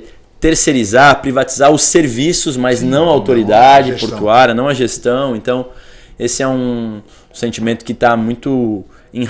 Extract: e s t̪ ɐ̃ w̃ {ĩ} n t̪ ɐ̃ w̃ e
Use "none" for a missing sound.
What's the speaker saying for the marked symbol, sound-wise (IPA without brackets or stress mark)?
ẽ